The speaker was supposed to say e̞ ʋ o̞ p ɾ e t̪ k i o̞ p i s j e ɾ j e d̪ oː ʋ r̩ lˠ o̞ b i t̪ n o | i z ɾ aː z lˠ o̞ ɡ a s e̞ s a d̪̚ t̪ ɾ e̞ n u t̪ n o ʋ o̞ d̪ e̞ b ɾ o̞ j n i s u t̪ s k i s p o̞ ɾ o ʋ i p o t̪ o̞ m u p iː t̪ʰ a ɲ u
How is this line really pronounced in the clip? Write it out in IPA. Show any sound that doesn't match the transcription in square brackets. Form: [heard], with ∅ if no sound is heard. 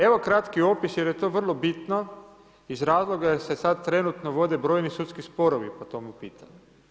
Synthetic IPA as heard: e̞ ʋ o̞ [k] ɾ [a] t̪ k i o̞ p i s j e ɾ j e [t̪] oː ʋ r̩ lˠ o̞ b i t̪ n o | i z ɾ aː z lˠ o̞ ɡ a s e̞ s a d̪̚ t̪ ɾ e̞ n u t̪ n o ʋ o̞ d̪ e̞ b ɾ o̞ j n i s u t̪ s k i s p o̞ ɾ o ʋ i p o t̪ o̞ m u p iː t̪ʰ a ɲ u

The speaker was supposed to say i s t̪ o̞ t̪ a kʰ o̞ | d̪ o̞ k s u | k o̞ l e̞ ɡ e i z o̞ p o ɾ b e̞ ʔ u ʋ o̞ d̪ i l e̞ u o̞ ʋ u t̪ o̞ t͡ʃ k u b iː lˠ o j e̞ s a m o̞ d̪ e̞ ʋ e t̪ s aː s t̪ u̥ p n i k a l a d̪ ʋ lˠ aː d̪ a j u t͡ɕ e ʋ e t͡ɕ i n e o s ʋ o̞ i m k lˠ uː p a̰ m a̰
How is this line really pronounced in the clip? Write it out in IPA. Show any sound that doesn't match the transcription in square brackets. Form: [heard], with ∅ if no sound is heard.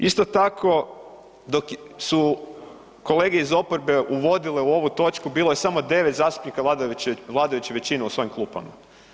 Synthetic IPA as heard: i s t̪ o̞ t̪ a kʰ o̞ | d̪ o̞ k s u | k o̞ l e̞ ɡ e i z o̞ p o ɾ b e̞ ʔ u ʋ o̞ d̪ i l e̞ u o̞ ʋ u t̪ o̞ t͡ʃ k u b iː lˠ o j e̞ s a m o̞ d̪ e̞ ʋ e t̪ [z] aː s t̪ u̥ p n i k a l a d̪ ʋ lˠ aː d̪ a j u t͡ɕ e ʋ e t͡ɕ i n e [u] s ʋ o̞ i m k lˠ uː p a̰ m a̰

